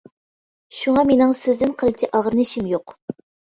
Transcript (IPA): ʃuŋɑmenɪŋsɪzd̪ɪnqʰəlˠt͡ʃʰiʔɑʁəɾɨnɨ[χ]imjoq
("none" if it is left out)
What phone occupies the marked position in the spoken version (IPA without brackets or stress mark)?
ʃ